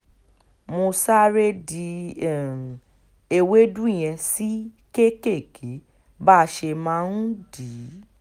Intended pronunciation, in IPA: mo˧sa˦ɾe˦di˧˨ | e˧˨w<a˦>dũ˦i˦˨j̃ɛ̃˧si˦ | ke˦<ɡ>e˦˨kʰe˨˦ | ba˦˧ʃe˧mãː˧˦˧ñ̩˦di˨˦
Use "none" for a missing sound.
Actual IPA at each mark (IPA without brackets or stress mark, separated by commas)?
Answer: e˦, k